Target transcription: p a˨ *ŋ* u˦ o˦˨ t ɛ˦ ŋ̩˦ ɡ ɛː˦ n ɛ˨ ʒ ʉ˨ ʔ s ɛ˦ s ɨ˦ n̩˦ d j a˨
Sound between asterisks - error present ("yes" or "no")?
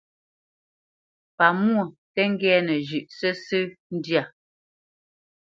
yes